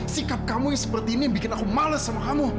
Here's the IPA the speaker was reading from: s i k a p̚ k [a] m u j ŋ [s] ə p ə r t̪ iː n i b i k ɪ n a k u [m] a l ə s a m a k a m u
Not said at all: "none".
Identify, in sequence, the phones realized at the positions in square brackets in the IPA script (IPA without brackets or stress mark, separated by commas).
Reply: a, s, m